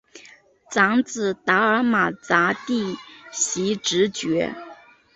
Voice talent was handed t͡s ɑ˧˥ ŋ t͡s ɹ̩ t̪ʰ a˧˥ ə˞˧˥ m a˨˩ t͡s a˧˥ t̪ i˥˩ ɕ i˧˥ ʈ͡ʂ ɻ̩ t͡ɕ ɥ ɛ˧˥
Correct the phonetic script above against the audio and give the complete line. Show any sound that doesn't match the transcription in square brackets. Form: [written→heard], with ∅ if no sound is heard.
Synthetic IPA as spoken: t͡s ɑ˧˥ ŋ t͡s ɹ̩ [t̪ʰ→t̪] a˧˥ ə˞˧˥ m a˨˩ t͡s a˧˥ t̪ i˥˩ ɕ i˧˥ ʈ͡ʂ ɻ̩ t͡ɕ ɥ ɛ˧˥